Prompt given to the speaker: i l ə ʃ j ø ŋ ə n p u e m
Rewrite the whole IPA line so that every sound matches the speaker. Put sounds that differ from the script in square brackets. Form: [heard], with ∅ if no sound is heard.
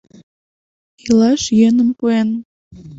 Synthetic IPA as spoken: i l [ɑ] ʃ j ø [n] ə [m] p u e [n]